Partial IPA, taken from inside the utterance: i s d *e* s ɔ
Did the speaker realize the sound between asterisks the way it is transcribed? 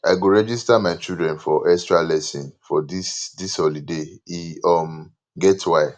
no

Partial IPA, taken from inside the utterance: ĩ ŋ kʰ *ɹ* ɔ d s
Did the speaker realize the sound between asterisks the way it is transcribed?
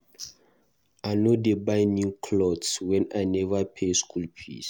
no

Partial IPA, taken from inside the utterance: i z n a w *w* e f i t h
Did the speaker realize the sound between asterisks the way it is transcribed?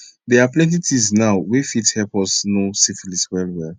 yes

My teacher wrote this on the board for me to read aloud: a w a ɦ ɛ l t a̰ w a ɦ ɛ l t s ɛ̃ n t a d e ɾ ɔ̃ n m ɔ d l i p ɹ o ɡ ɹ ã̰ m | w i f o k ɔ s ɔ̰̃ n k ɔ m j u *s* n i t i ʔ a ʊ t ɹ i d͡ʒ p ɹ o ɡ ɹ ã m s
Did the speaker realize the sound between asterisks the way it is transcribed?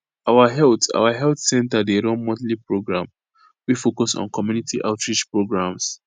no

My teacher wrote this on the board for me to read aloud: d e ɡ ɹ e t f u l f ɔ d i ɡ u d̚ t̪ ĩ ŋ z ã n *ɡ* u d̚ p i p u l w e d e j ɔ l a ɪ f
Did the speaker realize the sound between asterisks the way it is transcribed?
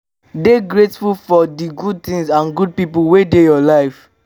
yes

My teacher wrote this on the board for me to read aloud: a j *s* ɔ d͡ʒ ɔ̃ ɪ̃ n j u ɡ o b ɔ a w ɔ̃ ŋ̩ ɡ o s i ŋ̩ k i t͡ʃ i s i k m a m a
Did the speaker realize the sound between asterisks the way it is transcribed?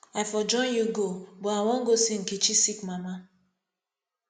no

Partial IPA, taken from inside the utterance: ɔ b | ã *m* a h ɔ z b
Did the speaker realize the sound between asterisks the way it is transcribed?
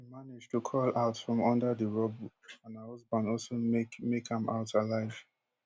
no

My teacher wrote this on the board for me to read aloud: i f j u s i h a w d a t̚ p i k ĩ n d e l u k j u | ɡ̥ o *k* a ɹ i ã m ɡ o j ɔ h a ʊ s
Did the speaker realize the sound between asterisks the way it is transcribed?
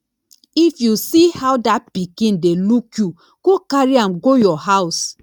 yes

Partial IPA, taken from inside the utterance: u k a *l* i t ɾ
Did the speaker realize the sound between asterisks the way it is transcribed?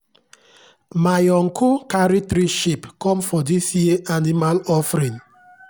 no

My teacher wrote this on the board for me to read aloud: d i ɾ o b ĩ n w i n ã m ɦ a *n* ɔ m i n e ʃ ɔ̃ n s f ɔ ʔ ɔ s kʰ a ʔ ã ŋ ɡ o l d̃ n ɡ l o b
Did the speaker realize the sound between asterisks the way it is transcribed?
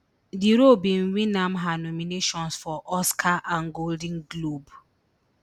yes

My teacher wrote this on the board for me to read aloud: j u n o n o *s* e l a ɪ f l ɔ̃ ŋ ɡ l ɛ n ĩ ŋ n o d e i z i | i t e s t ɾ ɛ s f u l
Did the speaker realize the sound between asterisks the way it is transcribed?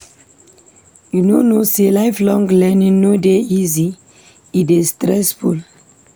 yes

